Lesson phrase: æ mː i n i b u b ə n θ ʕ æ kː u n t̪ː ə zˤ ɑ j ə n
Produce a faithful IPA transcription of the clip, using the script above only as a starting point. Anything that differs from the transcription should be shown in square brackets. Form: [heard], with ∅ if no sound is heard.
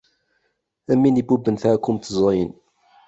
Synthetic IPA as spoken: æ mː i n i b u b ə n θ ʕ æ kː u [m] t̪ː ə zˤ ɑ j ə n